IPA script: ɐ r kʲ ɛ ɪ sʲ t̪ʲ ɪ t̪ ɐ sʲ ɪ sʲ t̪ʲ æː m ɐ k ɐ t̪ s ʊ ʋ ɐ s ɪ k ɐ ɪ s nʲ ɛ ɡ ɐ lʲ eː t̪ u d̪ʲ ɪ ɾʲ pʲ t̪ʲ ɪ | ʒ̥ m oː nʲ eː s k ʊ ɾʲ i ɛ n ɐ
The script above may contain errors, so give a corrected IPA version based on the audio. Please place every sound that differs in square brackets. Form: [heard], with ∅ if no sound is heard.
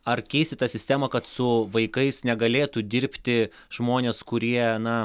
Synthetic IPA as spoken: ɐ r kʲ ɛ ɪ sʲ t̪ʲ ɪ t̪ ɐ sʲ ɪ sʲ t̪ʲ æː m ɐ k ɐ t̪ s ʊ ʋ ɐ [∅] ɪ k ɐ ɪ s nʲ ɛ ɡ ɐ lʲ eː t̪ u d̪ʲ ɪ ɾʲ pʲ t̪ʲ ɪ | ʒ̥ m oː nʲ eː s k ʊ ɾʲ i ɛ n ɐ